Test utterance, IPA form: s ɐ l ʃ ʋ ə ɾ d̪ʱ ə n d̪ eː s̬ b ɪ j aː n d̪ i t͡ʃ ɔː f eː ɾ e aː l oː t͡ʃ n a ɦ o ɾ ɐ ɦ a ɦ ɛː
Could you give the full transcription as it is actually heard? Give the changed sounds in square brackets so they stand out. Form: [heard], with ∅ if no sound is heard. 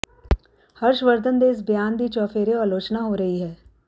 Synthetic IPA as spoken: [h] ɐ [ɾ] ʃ ʋ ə ɾ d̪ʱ ə n d̪ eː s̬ b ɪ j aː n d̪ i t͡ʃ ɔː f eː ɾ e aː l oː t͡ʃ n a ɦ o ɾ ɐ ɦ [i] ɦ ɛː

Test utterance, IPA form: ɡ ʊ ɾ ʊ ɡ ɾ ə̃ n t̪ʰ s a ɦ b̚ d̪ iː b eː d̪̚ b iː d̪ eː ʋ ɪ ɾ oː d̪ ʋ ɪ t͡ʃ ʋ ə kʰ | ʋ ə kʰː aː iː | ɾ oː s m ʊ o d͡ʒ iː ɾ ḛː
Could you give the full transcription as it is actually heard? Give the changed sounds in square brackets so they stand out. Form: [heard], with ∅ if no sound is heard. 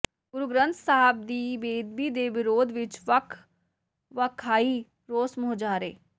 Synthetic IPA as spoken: ɡ ʊ ɾ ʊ ɡ ɾ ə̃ n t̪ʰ s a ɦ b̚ d̪ iː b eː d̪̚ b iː d̪ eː ʋ ɪ ɾ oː d̪ ʋ ɪ t͡ʃ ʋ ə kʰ | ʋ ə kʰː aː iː | ɾ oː s m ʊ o d͡ʒ [aː] ɾ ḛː

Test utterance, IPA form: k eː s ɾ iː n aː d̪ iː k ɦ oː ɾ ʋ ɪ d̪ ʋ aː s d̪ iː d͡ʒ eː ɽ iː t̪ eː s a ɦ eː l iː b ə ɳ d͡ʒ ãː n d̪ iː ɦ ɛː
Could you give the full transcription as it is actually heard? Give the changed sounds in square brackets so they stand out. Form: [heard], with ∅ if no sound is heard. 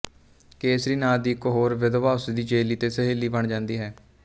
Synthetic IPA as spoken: k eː s ɾ iː n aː d̪ iː k ɦ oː ɾ ʋ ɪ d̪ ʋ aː s d̪ iː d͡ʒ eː [l] iː t̪ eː s [ə] ɦ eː l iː b ə ɳ d͡ʒ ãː n d̪ iː ɦ ɛː

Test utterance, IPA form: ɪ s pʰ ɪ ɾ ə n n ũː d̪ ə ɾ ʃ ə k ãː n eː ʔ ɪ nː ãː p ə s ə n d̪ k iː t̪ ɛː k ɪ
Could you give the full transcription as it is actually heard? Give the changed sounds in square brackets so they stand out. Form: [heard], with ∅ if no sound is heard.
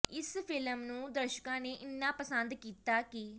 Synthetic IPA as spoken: ɪ s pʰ ɪ [l] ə [m] n ũː d̪ ə ɾ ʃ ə k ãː n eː ʔ ɪ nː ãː p ə s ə n d̪ k iː t̪ [aː] k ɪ

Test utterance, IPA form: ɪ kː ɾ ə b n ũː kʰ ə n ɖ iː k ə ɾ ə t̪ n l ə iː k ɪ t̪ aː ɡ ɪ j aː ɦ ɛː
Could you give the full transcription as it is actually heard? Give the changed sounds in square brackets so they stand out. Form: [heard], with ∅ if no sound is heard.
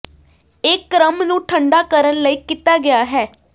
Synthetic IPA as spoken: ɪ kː ɾ ə [m] n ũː [ʈʰ] ə [ɳ] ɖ [aː] k ə ɾ ə [∅] n l ə iː k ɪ t̪ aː ɡ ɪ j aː ɦ ɛː

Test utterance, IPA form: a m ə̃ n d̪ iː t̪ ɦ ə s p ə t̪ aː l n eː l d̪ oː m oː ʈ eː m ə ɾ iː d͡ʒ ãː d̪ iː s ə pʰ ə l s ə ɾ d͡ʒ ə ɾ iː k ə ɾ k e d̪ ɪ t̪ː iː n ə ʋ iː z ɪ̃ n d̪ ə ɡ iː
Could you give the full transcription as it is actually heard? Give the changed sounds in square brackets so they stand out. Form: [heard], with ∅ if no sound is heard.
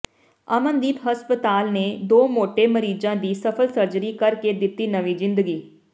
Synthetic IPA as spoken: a m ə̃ n d̪ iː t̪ ɦ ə s p ə t̪ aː l n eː [∅] d̪ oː m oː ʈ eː m ə ɾ iː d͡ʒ ãː d̪ iː s ə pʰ ə l s ə ɾ d͡ʒ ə ɾ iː k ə ɾ k e d̪ ɪ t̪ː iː n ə ʋ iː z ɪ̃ n d̪ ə ɡ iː

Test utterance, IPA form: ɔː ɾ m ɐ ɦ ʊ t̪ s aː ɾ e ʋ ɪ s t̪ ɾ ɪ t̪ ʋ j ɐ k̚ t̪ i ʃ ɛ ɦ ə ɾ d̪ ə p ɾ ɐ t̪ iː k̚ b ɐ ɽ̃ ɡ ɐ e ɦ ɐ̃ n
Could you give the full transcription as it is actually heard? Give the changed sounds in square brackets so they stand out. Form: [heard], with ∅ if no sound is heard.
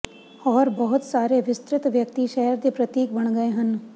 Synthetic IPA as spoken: ɔː ɾ [b] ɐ ɦ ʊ t̪ s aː ɾ e ʋ ɪ s t̪ ɾ ɪ t̪ ʋ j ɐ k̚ t̪ i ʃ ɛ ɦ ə ɾ d̪ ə p ɾ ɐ t̪ iː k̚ b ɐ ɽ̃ ɡ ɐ e ɦ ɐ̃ n

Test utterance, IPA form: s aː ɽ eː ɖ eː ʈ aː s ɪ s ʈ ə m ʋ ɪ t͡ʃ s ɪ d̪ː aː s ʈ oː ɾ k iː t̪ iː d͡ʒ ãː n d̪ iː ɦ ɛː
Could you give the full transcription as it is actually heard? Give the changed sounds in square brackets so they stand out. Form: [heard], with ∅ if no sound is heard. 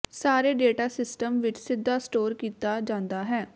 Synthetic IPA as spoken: s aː [ɾ] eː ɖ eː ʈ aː s ɪ s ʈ ə m ʋ ɪ t͡ʃ s ɪ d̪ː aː s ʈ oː ɾ k iː t̪ [aː] d͡ʒ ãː n d̪ [aː] ɦ ɛː

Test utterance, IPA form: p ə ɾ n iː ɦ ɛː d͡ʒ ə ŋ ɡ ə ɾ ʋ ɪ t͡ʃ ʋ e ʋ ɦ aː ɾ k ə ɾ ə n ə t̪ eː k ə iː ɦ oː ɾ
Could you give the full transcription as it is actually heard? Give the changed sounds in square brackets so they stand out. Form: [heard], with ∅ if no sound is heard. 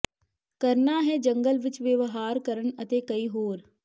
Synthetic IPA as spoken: [k] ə ɾ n [aː] ɦ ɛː d͡ʒ ə ŋ ɡ ə [l] ʋ ɪ t͡ʃ ʋ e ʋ ɦ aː ɾ k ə ɾ ə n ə t̪ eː k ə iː ɦ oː ɾ

